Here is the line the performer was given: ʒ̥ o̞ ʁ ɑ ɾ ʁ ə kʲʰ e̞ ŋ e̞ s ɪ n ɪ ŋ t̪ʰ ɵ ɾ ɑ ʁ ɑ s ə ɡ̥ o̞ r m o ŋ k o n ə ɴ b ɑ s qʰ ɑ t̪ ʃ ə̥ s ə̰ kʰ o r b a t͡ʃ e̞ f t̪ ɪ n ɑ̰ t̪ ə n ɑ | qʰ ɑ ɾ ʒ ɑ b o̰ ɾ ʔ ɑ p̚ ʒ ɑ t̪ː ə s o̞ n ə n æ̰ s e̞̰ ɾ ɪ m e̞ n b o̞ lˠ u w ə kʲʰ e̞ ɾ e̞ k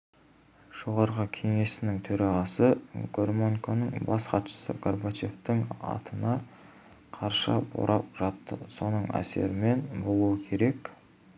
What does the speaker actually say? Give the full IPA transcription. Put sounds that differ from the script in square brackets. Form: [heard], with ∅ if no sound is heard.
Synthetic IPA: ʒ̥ o̞ ʁ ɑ ɾ ʁ ə kʲʰ e̞ ŋ e̞ s ɪ n ɪ ŋ t̪ʰ ɵ ɾ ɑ ʁ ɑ s ə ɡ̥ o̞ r m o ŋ k o n ə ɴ b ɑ s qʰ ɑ t̪ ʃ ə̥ s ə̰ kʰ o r b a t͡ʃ e̞ f t̪ ɪ [ŋ] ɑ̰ t̪ ə n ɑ | qʰ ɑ ɾ [ʃ] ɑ b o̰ ɾ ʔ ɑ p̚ ʒ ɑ t̪ː ə s o̞ n ə [ɴ] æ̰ s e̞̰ ɾ ɪ m e̞ n b o̞ lˠ u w ə kʲʰ e̞ ɾ e̞ k